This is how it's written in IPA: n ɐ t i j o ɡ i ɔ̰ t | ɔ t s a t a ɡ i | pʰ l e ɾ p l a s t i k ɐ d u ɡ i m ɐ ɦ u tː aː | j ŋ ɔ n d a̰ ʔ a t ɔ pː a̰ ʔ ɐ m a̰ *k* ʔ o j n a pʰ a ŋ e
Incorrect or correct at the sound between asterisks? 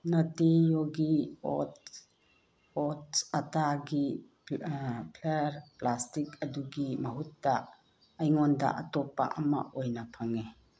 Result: incorrect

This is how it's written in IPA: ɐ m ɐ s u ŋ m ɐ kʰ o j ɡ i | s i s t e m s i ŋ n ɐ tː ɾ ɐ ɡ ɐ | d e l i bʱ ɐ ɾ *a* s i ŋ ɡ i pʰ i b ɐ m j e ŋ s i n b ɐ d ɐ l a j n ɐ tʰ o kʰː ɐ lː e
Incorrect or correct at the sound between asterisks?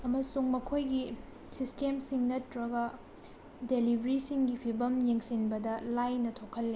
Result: incorrect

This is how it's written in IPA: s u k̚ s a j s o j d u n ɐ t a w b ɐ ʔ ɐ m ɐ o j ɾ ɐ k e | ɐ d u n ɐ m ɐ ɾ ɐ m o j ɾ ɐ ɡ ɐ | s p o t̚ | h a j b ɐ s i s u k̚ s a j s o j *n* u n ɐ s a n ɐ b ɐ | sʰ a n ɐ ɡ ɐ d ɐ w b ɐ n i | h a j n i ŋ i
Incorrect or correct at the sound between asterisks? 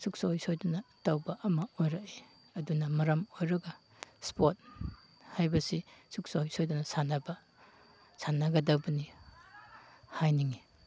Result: incorrect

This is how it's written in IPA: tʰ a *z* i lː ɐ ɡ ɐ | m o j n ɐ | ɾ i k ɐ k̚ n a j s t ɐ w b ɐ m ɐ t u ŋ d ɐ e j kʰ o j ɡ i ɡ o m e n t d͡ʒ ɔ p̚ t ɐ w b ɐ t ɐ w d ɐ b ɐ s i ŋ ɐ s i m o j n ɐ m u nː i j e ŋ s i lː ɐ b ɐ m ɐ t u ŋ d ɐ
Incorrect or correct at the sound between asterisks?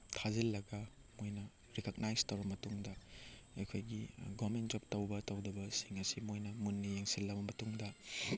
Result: correct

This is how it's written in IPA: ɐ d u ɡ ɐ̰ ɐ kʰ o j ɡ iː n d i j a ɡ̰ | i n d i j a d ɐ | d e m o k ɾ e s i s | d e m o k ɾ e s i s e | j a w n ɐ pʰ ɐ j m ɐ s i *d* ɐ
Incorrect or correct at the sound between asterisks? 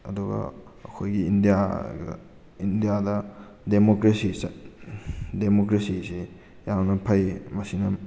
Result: incorrect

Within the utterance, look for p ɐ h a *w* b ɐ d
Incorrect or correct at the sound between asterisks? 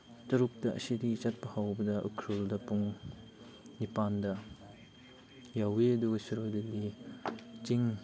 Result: correct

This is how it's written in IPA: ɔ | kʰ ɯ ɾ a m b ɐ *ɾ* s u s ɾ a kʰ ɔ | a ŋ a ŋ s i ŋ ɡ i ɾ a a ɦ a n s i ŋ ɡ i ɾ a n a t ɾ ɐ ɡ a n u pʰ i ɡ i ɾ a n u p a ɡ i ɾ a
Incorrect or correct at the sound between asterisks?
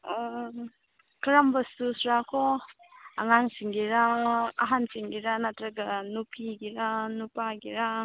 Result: incorrect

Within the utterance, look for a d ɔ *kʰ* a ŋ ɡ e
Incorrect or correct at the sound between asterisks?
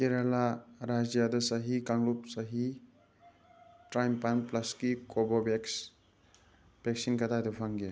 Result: incorrect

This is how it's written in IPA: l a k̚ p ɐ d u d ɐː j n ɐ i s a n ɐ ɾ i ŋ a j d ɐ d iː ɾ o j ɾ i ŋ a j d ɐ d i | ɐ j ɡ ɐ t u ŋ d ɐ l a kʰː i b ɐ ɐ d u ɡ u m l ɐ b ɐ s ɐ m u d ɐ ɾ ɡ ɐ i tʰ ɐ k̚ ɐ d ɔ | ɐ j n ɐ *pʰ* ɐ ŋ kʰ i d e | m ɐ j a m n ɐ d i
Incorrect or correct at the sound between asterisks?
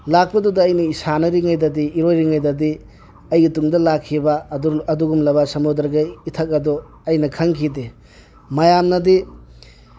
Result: incorrect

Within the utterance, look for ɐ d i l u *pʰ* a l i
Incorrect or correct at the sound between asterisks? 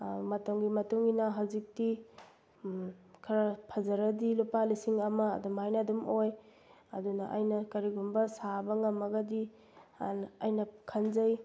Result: incorrect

